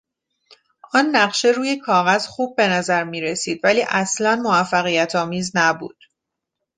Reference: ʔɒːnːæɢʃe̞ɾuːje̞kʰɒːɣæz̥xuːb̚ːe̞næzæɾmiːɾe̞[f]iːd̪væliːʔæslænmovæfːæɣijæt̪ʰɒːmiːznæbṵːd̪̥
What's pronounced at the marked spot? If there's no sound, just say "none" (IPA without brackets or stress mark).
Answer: s